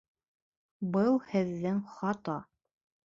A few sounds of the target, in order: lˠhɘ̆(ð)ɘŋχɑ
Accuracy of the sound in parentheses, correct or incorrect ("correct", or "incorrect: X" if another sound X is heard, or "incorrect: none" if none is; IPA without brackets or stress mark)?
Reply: incorrect: ðː